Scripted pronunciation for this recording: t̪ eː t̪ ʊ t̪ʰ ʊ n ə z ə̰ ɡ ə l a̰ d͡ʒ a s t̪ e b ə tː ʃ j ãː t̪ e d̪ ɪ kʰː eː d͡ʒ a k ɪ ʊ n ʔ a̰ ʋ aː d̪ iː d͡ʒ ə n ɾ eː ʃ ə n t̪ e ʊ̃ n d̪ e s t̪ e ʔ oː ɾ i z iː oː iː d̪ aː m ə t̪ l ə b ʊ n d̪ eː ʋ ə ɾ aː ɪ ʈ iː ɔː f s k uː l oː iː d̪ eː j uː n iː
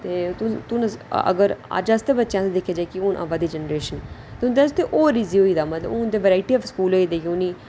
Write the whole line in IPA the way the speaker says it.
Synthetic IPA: t̪ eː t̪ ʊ t̪ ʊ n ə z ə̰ ɡ ə ɾ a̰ d͡ʒ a s t̪ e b ə tː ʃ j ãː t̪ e d̪ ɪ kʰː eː d͡ʒ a k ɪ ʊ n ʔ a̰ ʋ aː d̪ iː d͡ʒ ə n ɾ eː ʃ ə n t̪ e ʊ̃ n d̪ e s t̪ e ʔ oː ɾ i z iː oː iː d̪ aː m ə t̪ l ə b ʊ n d̪ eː ʋ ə ɾ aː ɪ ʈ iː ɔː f s k uː l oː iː d̪ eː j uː n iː